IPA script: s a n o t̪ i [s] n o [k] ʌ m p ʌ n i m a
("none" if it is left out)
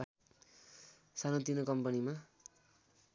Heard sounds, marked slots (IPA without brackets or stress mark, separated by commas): none, k